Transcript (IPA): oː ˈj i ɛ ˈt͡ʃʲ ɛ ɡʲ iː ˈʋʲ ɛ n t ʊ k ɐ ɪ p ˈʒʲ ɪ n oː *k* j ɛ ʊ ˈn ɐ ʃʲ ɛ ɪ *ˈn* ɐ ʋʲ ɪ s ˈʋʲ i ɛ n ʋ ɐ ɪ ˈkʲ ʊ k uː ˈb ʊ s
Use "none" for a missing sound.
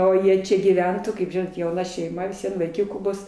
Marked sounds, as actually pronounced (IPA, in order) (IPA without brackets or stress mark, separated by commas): t, m